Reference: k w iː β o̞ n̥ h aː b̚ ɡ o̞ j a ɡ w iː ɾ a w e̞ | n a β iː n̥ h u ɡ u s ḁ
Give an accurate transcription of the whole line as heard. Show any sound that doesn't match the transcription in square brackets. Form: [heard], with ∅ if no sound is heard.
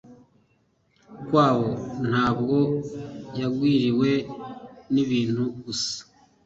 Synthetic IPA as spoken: k w [aː] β o̞ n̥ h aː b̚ ɡ o̞ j a ɡ w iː ɾ [i] w e̞ | n [i] β iː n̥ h u ɡ u s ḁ